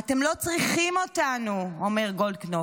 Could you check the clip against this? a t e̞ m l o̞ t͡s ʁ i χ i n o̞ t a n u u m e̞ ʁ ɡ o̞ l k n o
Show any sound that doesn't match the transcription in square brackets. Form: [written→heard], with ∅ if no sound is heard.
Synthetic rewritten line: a t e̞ m l o̞ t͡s ʁ i χ i [n→m] o̞ t a n u [u→o] m e̞ ʁ ɡ o̞ l k n o